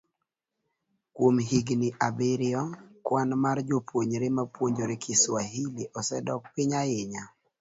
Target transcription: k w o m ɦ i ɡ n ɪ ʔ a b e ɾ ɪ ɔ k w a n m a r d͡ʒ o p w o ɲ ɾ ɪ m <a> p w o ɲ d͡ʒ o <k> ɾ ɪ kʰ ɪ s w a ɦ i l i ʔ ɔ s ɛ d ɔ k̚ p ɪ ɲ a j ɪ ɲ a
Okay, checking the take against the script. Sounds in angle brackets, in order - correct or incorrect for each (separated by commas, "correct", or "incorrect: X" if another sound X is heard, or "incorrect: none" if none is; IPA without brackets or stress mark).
correct, incorrect: none